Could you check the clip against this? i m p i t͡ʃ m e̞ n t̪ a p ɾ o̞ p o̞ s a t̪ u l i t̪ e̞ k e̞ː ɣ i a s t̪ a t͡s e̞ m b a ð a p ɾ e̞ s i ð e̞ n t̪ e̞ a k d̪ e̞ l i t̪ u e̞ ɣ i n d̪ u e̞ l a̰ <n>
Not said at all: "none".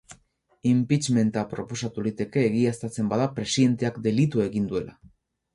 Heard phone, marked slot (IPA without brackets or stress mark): none